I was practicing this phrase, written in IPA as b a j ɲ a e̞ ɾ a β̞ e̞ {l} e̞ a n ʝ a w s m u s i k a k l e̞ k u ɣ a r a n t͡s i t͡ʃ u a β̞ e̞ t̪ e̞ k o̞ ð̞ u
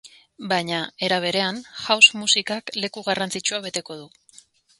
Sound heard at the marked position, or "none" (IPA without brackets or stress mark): ɾ